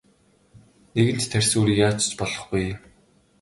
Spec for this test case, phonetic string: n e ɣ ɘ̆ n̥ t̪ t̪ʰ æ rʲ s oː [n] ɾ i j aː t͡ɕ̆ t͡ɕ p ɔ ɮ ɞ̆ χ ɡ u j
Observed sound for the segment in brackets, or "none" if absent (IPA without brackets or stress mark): none